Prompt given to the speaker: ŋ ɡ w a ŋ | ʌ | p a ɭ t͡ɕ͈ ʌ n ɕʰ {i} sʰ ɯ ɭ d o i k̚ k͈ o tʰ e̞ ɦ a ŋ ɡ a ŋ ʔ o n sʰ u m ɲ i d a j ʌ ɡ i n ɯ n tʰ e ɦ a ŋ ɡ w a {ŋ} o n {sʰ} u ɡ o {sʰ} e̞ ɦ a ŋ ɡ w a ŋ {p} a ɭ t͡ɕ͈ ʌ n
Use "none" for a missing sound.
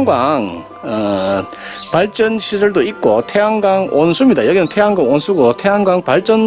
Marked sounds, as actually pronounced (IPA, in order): i, ŋ, sʰ, tʰ, p

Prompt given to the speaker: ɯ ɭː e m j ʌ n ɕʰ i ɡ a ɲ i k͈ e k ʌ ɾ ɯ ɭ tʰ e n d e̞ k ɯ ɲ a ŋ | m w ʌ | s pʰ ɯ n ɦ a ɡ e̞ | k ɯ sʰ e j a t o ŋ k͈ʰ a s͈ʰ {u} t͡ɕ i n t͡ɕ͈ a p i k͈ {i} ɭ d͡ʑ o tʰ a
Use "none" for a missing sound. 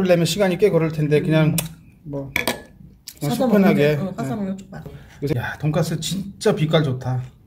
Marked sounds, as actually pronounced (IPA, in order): ɯ, a

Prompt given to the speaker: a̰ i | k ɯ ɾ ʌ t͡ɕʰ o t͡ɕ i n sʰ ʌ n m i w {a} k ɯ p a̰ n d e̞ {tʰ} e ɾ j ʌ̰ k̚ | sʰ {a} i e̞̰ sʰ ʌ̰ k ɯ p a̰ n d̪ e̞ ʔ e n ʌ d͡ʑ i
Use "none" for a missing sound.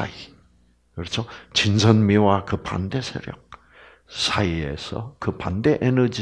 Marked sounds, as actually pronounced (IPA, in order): a, sʰ, a

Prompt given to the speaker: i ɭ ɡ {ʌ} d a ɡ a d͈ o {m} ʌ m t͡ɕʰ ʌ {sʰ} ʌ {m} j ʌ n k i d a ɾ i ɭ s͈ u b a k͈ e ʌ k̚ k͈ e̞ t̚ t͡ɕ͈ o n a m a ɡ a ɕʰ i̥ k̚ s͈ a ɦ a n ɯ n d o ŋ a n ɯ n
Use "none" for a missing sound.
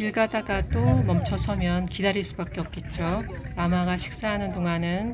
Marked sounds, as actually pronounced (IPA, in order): a, m, sʰ, m

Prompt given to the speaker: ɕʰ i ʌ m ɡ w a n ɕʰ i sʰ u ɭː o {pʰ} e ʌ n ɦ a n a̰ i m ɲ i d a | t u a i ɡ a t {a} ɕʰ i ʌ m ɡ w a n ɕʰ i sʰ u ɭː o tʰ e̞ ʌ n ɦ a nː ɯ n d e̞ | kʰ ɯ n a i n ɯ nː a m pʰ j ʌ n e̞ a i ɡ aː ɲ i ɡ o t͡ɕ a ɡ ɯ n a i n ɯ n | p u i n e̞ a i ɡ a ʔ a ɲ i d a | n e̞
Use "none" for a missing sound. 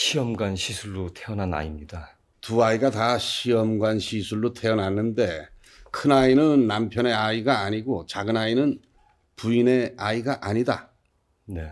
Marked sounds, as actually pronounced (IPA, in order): tʰ, a

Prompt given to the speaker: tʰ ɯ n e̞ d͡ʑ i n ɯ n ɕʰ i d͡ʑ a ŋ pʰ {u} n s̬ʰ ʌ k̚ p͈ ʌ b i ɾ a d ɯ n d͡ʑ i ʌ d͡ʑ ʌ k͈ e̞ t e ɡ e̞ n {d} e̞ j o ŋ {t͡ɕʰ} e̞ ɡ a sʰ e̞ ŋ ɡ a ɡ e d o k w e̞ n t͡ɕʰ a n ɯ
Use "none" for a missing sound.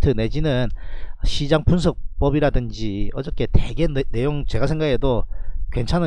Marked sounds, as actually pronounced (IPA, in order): u, n, t͡ɕ

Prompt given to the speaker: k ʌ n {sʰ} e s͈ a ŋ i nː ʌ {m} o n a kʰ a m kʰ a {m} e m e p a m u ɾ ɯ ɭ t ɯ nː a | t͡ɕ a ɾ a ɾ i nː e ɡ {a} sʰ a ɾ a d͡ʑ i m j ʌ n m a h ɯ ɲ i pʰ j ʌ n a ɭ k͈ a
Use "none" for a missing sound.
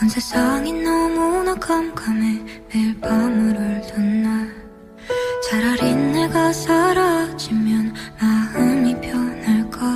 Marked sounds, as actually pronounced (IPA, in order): sʰ, m, m, a

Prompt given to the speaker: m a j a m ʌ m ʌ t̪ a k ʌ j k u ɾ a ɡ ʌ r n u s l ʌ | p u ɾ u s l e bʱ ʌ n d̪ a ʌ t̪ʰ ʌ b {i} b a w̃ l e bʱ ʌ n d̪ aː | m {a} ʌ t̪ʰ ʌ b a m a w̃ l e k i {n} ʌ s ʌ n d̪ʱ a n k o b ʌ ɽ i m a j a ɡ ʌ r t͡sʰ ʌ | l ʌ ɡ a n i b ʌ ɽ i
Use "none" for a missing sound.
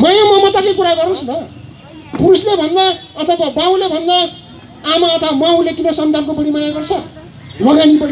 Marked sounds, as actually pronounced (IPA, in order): a, a, n

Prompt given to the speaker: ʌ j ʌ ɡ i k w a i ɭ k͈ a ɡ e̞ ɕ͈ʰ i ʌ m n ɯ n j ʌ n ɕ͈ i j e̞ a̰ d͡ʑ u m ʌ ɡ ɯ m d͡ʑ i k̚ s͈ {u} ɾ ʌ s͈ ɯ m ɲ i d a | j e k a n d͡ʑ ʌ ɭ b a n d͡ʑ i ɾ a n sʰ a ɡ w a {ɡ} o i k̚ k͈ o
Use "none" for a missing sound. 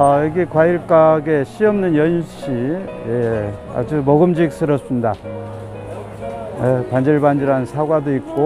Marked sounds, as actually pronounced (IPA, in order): ɯ, d

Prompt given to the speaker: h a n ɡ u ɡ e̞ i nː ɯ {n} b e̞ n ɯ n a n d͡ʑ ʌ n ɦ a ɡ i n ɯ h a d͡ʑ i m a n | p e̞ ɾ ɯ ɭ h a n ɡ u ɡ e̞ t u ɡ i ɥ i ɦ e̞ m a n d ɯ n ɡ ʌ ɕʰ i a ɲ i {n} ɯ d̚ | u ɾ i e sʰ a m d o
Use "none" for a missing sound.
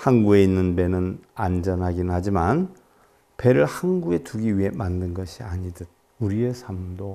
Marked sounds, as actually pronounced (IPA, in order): n, d

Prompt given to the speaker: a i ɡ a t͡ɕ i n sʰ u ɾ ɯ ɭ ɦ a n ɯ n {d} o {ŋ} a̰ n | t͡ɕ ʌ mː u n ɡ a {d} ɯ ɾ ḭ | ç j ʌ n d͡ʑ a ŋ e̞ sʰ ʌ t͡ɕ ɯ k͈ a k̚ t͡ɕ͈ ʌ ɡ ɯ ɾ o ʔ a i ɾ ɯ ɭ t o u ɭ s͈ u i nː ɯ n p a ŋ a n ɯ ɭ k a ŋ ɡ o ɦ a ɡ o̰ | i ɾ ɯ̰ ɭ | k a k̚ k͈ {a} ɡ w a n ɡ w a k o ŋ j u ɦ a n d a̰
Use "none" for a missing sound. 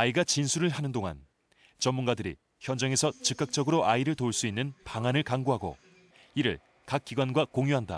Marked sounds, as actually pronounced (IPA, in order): d, ŋ, d, i

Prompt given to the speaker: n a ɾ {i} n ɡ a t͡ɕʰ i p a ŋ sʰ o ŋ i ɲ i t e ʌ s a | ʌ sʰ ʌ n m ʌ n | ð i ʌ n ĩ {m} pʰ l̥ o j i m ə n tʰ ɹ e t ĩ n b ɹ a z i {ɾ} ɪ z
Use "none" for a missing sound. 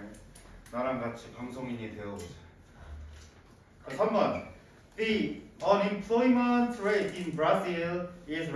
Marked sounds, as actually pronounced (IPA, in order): a, m, l

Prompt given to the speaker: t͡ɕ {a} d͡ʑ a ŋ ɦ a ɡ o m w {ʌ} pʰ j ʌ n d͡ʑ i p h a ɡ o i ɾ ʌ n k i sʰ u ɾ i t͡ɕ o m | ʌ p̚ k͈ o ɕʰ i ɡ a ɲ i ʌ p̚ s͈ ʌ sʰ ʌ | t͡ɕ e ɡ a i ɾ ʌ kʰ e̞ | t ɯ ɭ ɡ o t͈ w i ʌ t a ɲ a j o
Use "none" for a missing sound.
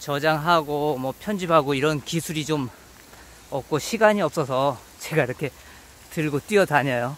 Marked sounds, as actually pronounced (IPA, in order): ʌ, ʌ

